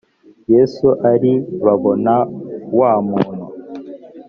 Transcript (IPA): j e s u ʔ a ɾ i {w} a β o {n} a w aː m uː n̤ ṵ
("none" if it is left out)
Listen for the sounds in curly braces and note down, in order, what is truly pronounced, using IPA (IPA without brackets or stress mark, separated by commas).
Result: β, n